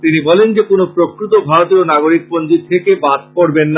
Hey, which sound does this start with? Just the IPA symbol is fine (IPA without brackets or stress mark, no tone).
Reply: t̪